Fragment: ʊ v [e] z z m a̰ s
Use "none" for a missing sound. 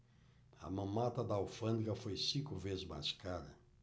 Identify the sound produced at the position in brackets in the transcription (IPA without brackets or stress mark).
e